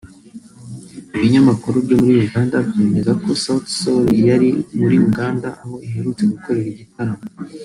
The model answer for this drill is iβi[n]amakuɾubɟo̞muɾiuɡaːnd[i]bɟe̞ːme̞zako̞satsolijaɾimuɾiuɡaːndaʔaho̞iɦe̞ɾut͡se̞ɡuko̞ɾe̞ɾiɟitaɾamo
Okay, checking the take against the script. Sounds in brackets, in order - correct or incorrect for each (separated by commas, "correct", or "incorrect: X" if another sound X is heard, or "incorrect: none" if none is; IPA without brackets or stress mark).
incorrect: ɲ, incorrect: a